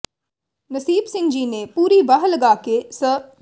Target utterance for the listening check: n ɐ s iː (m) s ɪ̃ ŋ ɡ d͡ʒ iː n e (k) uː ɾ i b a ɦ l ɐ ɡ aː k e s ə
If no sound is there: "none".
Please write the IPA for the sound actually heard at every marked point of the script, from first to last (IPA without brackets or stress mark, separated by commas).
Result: b, p